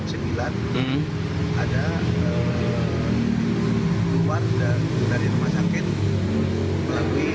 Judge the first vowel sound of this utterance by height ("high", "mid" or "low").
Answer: mid